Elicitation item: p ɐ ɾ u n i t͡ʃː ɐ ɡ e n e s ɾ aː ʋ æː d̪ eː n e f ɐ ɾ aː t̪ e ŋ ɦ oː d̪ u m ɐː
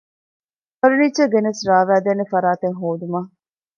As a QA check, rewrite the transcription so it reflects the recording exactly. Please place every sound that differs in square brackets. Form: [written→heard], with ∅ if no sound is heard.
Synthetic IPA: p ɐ ɾ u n i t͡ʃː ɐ ɡ e n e s ɾ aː ʋ æː d̪ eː n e f ɐ ɾ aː t̪ e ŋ ɦ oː d̪ u m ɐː

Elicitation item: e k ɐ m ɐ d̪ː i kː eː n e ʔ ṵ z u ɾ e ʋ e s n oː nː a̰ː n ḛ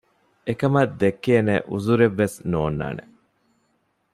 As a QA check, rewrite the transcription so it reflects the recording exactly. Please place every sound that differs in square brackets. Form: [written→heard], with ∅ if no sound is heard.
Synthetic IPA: e k ɐ m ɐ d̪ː [i→e] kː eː n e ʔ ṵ z u ɾ e [ʋ→ʋː] e s n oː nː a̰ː n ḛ

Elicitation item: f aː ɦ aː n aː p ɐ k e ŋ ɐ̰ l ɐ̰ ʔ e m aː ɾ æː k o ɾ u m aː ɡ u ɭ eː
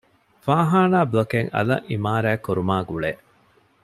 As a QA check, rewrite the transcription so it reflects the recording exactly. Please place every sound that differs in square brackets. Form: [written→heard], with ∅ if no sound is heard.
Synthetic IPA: f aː ɦ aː n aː [p→b] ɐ k e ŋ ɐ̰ l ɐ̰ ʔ [e→i] m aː ɾ æː k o ɾ u m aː ɡ u ɭ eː

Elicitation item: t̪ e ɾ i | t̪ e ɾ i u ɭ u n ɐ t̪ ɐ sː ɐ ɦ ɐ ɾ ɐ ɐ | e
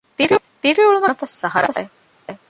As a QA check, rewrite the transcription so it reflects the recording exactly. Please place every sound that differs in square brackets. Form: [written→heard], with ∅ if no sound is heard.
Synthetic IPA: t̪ [e→i] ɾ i | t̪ [e→i] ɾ i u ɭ u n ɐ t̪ ɐ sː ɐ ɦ ɐ ɾ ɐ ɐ | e

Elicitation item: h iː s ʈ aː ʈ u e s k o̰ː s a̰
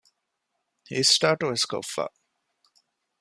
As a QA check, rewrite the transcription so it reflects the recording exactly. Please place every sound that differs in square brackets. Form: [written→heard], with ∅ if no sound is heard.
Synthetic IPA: h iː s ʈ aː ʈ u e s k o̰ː [s→f] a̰

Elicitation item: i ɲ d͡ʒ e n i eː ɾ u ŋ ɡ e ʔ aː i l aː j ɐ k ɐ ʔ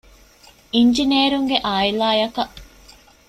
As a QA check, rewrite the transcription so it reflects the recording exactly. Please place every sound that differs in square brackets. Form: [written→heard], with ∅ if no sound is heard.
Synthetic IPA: i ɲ d͡ʒ [e→i] n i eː ɾ u ŋ ɡ e ʔ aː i l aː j ɐ k ɐ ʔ

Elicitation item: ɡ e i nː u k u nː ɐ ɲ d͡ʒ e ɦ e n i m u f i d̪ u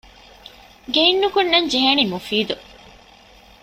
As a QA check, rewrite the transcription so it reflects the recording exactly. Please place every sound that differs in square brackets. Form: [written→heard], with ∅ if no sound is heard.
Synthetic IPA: ɡ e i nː u k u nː ɐ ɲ d͡ʒ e ɦ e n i m u f [i→iː] d̪ u

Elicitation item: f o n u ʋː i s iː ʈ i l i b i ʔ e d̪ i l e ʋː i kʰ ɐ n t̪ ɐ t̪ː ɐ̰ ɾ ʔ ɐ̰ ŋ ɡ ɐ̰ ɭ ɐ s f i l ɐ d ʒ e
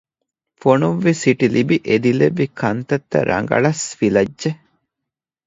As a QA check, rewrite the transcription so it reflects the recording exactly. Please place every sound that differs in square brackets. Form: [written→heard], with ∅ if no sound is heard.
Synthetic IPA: f o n u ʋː i s [iː→i] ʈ i l i b i ʔ e d̪ i l e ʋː i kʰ ɐ n t̪ ɐ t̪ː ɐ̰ ɾ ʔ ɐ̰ ŋ ɡ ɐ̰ ɭ ɐ s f i l ɐ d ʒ e

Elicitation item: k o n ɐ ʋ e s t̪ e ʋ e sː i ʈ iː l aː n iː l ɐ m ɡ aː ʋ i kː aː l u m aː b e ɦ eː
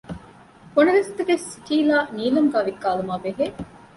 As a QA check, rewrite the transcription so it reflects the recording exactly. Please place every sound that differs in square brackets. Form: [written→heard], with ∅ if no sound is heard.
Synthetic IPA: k o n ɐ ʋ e s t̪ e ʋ e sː i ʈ iː l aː n iː l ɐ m ɡ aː ʋ i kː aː l u m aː b e ɦ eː

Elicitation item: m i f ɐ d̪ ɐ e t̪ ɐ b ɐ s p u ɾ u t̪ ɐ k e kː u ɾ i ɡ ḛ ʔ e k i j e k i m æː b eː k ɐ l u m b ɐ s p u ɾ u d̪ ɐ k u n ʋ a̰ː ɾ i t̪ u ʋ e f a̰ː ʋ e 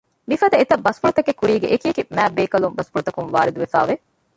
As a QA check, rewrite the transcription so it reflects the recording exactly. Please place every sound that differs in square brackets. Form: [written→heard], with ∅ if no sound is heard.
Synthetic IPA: m i f ɐ d̪ ɐ e t̪ ɐ b ɐ s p u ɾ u t̪ ɐ k e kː u ɾ [i→iː] ɡ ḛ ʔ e k i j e k i m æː b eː k ɐ l u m b ɐ s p u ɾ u [d̪→t̪] ɐ k u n ʋ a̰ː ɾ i [t̪→d̪] u ʋ e f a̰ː ʋ e

